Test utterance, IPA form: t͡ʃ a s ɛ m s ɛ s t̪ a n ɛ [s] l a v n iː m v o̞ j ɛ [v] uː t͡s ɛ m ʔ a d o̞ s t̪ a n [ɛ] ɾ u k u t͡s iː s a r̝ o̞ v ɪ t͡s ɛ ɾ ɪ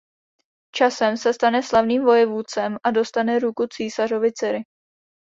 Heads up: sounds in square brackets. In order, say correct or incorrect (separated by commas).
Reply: correct, correct, correct